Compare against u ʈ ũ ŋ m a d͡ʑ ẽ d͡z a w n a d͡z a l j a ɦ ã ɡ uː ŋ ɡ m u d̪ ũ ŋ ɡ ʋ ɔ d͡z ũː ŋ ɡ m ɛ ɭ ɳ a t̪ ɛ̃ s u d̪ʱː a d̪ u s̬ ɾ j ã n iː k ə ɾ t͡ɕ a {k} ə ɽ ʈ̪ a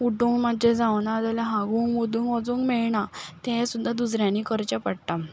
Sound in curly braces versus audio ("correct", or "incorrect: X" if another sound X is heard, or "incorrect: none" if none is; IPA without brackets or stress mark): incorrect: p